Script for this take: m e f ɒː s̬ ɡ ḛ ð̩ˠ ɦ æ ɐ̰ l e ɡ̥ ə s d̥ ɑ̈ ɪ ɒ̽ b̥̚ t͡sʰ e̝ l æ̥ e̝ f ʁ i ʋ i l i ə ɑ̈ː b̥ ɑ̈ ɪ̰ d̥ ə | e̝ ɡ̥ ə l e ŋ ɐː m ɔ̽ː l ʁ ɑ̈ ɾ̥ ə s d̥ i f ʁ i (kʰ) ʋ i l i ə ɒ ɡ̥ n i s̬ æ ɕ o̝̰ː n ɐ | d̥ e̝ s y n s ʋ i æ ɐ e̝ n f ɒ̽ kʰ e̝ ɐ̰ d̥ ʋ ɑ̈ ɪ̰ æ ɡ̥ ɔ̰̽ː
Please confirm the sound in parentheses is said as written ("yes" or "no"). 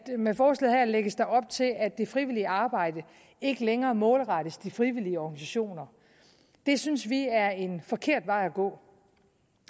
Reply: no